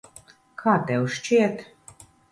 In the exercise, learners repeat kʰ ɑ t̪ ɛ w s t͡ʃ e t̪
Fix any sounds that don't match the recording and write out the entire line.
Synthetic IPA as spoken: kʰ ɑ t̪ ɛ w ʃ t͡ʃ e t̪